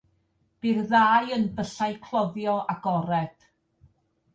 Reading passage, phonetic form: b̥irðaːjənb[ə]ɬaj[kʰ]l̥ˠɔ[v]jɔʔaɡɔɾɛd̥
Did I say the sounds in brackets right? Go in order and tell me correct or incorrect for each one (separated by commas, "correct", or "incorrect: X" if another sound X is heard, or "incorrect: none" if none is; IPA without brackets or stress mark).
correct, correct, incorrect: ð